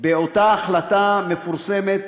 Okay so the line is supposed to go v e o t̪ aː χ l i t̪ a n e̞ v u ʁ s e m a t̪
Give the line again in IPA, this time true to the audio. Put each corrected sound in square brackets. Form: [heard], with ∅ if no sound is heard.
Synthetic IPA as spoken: [b] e o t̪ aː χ l [a] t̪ a [m] e̞ [f] u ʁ s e m [e] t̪

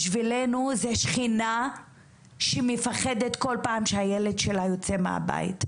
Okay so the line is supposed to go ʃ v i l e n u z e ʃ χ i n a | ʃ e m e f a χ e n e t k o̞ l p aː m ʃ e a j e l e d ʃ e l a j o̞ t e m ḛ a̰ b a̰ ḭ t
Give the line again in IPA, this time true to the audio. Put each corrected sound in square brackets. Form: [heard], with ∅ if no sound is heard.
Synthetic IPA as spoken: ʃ v i l e n u z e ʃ χ i n a | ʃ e m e f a χ e [d] e t k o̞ l p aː m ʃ e a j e l e d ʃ e l a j o̞ [t͡s] e m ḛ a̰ b a̰ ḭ t

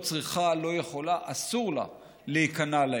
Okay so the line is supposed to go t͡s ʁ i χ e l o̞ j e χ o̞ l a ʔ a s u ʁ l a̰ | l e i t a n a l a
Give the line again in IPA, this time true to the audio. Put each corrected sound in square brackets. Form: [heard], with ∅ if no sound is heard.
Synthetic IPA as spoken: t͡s ʁ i χ [a] l o̞ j e χ o̞ l a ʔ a s u ʁ l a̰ | l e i [k] a n a l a

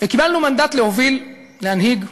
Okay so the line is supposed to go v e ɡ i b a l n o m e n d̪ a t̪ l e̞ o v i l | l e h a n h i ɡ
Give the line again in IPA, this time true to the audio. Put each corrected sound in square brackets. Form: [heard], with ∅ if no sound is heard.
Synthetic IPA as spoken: v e [k] i b a l n [u] m [a] n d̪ a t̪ l e̞ o v i l | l e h a n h i ɡ

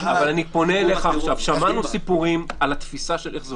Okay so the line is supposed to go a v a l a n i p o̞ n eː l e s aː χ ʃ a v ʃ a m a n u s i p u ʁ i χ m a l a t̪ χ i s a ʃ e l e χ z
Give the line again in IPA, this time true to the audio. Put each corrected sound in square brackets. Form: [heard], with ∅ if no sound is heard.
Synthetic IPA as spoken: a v a l a n i p o̞ n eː l e [χ] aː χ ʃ a v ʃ a m a n u s i p u ʁ i [∅] m a l a t̪ [f] i s a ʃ e l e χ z

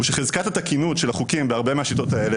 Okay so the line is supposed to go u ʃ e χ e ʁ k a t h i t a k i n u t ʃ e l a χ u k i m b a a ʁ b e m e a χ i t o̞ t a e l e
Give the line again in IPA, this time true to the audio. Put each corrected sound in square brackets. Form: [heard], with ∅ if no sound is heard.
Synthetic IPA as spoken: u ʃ e χ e [z] k a t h [a] t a k i n u t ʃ e l a χ u k i m b [e] a ʁ b e m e a [ʃ] i t o̞ t a e l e

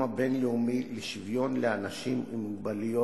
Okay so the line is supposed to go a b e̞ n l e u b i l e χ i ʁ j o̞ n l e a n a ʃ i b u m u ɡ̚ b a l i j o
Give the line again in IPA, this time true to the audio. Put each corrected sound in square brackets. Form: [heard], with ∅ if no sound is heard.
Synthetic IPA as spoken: a b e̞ n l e u [m] i l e [ʃ] i [v] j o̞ n l e a n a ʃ i [m] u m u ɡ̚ b a l i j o

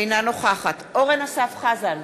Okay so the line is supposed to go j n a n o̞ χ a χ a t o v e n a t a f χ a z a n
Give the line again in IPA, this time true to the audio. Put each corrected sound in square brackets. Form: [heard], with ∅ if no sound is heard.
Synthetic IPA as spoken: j n a n o̞ χ a χ a t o [ʁ] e n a [s] a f χ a z a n

